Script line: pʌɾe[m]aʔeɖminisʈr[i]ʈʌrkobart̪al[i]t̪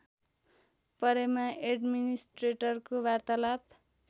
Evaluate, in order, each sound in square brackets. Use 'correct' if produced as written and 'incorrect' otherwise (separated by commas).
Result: correct, incorrect, incorrect